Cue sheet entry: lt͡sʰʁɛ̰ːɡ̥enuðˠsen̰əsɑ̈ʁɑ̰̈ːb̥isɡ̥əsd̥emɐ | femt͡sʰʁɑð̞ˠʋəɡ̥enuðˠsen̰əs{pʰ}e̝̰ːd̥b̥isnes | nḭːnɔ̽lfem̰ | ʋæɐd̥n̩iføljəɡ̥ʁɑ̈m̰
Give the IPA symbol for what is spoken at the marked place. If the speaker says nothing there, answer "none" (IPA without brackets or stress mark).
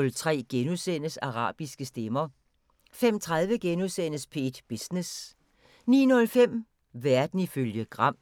pʰ